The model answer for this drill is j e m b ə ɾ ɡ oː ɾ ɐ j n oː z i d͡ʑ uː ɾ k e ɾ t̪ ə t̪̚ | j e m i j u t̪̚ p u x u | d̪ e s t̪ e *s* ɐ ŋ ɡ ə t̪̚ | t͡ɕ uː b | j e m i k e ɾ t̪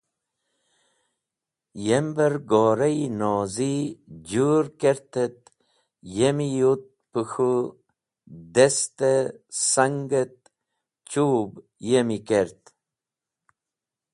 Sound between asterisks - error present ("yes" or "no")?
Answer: no